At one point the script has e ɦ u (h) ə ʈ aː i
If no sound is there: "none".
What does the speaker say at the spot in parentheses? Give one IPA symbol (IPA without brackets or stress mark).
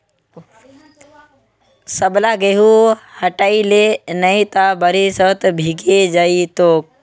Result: h